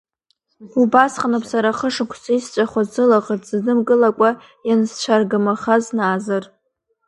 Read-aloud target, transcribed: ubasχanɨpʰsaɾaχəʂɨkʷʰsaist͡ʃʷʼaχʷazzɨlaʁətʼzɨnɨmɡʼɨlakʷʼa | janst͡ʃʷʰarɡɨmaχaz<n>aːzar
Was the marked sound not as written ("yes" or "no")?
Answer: no